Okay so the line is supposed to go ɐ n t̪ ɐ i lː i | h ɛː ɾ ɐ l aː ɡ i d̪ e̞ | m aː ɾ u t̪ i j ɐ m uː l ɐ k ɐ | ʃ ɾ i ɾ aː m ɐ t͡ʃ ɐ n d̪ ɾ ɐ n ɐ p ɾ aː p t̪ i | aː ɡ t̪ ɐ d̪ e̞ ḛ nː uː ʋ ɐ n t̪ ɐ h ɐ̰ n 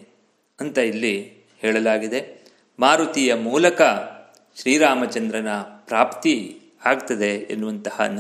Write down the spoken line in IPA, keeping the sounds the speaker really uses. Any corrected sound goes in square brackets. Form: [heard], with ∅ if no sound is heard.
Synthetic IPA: ɐ n t̪ ɐ i lː i | h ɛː [ɭ] ɐ l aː ɡ i d̪ e̞ | m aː ɾ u t̪ i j ɐ m uː l ɐ k ɐ | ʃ ɾ [iː] ɾ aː m ɐ t͡ʃ ɐ n d̪ ɾ ɐ n ɐ p ɾ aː p t̪ i | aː ɡ t̪ ɐ d̪ e̞ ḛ nː [u] ʋ ɐ n t̪ ɐ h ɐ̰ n